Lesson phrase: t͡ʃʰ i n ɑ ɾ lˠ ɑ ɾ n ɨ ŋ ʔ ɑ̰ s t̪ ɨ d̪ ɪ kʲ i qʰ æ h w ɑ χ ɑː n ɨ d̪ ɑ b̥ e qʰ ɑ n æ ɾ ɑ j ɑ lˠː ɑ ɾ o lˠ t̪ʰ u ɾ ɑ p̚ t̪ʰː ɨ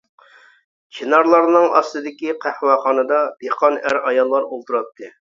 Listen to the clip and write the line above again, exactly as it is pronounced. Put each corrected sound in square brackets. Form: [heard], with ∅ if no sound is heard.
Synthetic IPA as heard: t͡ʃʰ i n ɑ ɾ lˠ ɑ ɾ n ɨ ŋ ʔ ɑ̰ s t̪ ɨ d̪ ɪ kʲ i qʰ æ h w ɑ χ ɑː n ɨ d̪ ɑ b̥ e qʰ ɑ n æ ɾ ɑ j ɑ lˠː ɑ ɾ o lˠ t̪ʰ u ɾ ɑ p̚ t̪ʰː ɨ